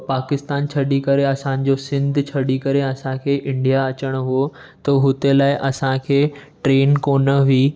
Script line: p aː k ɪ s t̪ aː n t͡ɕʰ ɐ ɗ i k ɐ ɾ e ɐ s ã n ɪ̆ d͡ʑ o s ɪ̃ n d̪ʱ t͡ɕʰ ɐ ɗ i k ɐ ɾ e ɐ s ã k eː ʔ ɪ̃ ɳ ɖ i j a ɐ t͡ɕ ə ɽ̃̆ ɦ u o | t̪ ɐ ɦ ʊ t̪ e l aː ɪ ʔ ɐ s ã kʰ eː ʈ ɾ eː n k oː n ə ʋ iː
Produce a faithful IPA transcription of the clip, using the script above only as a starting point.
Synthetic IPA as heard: p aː k ɪ s t̪ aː n t͡ɕʰ ɐ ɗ i k ɐ ɾ e ɐ s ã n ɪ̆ d͡ʑ o s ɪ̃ n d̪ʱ t͡ɕʰ ɐ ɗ i k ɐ ɾ e ɐ s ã kʰ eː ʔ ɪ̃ ɳ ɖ i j a ɐ t͡ɕ ə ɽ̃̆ ɦ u o | t̪ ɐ ɦ ʊ t̪ e l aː ɪ ʔ ɐ s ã kʰ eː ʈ ɾ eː n k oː n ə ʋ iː